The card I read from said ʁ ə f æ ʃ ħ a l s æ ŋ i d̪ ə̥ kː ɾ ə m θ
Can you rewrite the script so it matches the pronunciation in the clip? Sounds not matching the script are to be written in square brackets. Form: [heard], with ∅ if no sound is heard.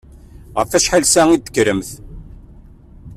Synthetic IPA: ʁ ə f æ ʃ ħ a l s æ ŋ i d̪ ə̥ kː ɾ ə m θ